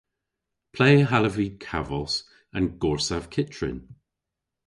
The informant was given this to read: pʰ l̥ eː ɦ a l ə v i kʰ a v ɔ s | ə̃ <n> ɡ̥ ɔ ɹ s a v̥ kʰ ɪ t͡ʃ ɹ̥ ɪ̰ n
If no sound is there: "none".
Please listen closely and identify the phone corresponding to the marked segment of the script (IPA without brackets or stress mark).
n